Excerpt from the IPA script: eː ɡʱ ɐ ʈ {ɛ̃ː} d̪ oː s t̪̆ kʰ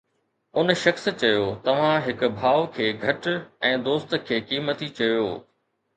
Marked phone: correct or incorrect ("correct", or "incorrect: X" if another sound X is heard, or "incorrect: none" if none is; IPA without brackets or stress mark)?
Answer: correct